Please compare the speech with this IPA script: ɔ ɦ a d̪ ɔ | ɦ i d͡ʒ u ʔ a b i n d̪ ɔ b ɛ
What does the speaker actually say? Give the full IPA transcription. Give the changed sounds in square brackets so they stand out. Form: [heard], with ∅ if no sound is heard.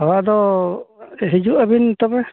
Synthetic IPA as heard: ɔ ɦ a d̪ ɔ | ɦ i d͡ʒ u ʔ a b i n [t̪] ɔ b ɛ

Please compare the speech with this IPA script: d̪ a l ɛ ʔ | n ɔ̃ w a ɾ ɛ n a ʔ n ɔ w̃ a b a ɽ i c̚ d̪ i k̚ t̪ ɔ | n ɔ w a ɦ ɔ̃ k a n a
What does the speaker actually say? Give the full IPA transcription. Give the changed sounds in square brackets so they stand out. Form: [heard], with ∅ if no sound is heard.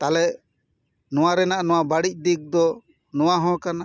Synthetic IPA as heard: [t̪] a l ɛ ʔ | n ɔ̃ w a ɾ ɛ n a ʔ n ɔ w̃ a b a ɽ i c̚ d̪ i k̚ [d̪] ɔ | n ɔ w a ɦ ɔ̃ k a n a

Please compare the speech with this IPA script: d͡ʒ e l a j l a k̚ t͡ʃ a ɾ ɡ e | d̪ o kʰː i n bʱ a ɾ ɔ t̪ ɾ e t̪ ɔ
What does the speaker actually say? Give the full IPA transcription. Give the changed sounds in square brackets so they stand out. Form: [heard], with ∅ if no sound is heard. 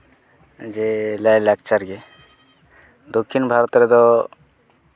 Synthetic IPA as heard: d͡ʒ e l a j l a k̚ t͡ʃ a ɾ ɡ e | d̪ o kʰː i n bʱ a ɾ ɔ t̪ ɾ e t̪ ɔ

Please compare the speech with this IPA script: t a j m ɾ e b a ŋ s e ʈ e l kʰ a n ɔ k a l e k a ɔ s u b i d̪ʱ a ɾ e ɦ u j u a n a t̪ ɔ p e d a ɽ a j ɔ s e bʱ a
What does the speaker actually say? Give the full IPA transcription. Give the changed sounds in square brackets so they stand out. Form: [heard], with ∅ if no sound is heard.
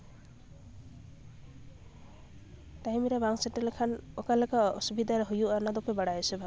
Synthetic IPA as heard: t a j m ɾ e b a ŋ s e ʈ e l kʰ a n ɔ k a l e k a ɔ s u b i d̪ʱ a ɾ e ɦ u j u a n a [d̪] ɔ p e [b] a ɽ a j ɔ s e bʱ a

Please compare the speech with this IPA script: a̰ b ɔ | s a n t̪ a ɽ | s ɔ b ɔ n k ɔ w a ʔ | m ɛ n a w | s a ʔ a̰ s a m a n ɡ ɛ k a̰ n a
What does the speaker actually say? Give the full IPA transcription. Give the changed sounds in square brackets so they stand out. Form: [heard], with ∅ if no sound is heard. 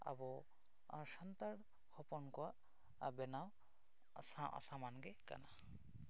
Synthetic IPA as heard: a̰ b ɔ | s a n t̪ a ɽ | [h] ɔ [p] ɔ n k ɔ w a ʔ | [b] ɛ n a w | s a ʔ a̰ s a m a n ɡ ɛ k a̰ n a

